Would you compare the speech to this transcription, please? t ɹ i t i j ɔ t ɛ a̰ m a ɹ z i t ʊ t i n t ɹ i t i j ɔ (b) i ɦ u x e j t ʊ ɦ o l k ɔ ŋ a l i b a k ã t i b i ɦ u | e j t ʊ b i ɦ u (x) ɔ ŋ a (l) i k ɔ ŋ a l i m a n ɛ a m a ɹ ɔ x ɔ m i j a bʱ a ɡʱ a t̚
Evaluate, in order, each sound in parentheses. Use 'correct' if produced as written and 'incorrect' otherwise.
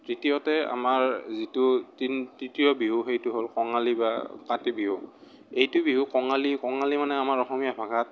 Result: correct, incorrect: k, correct

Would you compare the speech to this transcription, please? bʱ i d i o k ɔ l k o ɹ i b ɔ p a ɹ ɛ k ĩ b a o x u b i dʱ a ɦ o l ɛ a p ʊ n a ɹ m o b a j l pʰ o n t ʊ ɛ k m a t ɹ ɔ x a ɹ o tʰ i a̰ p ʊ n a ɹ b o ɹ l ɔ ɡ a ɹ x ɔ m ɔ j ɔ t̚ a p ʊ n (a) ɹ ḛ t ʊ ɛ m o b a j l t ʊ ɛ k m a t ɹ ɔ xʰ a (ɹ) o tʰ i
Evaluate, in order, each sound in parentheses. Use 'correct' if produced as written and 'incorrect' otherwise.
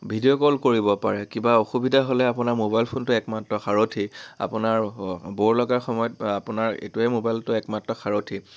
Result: correct, correct

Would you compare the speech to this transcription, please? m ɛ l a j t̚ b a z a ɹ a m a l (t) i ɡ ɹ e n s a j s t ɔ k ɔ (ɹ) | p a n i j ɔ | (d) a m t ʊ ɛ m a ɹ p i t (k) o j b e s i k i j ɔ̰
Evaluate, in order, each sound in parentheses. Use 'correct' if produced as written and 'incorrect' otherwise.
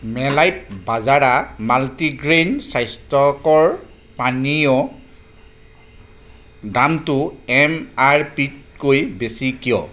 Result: correct, correct, correct, correct

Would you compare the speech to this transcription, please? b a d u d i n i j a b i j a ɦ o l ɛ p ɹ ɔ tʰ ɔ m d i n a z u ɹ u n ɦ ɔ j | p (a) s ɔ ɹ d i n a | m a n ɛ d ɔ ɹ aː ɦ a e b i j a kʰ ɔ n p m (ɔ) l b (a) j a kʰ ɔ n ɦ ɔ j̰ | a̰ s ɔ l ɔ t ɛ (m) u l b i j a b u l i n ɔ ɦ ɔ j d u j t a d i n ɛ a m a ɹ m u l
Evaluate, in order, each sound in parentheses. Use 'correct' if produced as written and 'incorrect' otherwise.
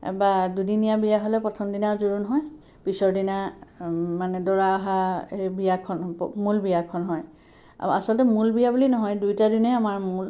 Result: incorrect: i, incorrect: u, incorrect: i, correct

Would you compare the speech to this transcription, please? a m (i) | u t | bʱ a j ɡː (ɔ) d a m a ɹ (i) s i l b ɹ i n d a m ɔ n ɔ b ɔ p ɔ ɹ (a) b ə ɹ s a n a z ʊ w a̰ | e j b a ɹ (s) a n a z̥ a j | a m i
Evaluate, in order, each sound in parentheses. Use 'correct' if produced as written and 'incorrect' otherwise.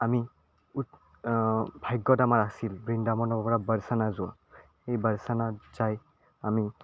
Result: correct, correct, incorrect: a, correct, correct

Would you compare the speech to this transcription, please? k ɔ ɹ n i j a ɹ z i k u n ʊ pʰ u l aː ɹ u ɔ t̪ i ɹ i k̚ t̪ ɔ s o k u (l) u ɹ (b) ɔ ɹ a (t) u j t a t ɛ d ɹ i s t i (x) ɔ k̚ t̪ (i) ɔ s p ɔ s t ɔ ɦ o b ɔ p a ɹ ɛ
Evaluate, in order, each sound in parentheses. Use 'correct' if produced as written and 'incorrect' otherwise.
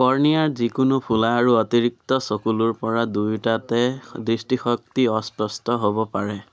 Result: correct, incorrect: p, incorrect: d, correct, correct

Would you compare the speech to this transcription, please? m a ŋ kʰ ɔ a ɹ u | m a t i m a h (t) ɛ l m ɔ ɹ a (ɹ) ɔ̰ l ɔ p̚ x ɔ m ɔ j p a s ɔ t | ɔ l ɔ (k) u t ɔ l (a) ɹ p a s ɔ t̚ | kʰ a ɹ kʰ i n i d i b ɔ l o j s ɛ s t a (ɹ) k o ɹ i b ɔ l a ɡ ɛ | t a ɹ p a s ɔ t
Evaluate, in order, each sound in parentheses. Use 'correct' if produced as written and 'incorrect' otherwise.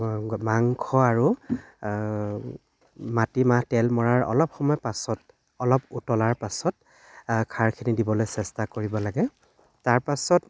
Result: correct, correct, incorrect: p, correct, incorrect: none

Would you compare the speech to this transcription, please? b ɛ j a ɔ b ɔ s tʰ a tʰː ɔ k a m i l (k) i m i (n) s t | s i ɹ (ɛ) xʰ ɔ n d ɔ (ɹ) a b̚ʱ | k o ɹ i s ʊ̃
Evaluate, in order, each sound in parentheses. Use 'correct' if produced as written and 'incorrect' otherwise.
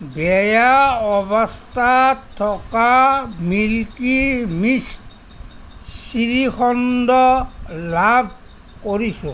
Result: correct, incorrect: none, incorrect: i, incorrect: l

